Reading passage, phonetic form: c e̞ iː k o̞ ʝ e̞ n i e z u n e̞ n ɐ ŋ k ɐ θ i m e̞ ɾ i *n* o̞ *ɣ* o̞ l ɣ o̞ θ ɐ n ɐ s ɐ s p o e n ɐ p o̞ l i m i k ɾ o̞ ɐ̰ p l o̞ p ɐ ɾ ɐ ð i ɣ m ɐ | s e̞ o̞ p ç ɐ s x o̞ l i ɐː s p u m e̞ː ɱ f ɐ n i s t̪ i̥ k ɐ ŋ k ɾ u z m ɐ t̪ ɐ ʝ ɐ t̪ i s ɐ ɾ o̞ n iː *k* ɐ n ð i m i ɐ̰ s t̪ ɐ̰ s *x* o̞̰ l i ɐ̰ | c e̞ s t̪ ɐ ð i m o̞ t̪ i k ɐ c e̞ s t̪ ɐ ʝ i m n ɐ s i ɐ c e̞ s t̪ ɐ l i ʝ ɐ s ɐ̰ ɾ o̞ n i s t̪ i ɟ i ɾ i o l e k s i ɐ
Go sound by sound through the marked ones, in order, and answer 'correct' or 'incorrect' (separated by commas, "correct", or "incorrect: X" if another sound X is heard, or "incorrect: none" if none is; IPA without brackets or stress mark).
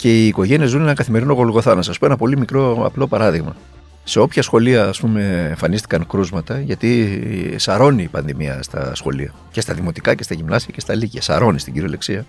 correct, correct, incorrect: p, correct